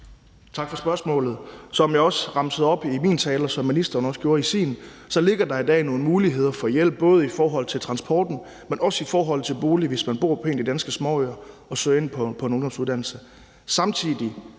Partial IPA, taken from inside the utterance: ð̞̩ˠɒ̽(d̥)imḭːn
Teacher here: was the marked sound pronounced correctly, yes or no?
no